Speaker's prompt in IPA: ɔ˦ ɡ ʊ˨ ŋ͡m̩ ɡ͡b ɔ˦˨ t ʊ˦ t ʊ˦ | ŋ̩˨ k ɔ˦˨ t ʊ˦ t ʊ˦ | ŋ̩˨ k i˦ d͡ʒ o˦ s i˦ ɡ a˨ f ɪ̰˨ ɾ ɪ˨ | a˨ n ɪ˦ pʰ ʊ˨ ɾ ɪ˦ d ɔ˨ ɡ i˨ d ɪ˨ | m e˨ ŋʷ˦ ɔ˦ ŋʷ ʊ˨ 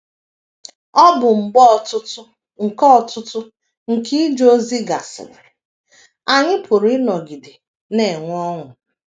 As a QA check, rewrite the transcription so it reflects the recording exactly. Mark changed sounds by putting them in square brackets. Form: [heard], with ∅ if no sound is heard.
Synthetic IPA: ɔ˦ [b] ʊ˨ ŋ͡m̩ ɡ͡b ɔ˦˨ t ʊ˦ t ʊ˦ | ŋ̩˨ k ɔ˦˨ t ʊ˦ t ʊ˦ | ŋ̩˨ k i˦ d͡ʒ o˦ [z] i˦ ɡ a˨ [s] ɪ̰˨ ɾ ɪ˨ | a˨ [ɲ] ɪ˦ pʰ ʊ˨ ɾ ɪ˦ [n] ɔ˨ ɡ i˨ d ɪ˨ | [n] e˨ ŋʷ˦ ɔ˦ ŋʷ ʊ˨